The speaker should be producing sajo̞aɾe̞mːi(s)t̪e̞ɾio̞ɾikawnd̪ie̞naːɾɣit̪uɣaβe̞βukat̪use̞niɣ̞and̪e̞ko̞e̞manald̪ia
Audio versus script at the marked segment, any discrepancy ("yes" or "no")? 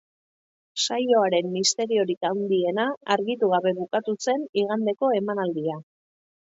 no